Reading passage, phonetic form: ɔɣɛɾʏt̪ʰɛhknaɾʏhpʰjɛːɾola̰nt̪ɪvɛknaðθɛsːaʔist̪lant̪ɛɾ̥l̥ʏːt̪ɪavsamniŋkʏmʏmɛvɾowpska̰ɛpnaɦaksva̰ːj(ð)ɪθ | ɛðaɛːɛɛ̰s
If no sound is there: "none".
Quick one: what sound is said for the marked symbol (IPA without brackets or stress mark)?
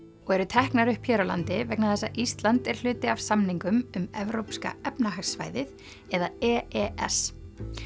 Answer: ð